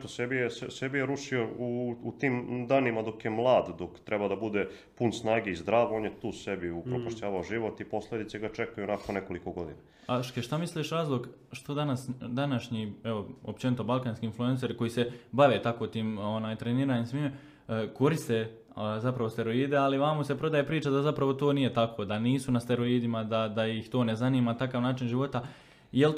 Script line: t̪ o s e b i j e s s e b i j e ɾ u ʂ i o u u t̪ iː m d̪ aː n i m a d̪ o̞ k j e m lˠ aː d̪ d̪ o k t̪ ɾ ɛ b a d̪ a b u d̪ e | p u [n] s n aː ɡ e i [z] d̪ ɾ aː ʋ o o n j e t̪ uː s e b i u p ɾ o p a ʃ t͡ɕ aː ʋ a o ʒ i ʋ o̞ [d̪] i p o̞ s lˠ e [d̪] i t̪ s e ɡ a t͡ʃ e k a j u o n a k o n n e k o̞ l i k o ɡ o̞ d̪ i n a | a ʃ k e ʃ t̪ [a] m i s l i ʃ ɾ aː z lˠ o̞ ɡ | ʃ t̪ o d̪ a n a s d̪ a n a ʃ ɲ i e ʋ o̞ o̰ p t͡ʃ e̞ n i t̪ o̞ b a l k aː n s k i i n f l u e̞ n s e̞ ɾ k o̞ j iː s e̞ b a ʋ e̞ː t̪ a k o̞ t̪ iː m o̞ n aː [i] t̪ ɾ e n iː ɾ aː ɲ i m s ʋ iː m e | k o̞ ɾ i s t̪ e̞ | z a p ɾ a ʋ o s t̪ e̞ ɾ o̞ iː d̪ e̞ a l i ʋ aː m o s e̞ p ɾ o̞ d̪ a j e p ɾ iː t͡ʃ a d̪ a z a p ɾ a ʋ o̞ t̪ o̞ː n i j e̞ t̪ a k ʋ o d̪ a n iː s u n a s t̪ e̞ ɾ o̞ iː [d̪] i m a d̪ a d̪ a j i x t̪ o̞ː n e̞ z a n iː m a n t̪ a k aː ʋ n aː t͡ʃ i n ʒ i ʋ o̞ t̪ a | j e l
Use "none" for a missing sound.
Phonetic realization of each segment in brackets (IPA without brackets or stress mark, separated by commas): n, z, t̪, d̪, a, j, d̪